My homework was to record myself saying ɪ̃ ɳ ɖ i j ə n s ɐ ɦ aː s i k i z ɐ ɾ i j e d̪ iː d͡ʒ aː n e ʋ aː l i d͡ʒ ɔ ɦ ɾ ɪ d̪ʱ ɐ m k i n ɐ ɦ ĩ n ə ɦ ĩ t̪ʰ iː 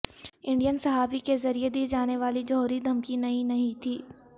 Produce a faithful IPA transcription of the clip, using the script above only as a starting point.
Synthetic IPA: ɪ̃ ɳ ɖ i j ə n s ɐ ɦ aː f i k e z ɐ ɾ i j e d̪ iː d͡ʒ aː n e ʋ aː l i d͡ʒ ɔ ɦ ɾ i d̪ʱ ɐ m k i n ɐ ɦ ĩ n ɐ ɦ ĩ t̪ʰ iː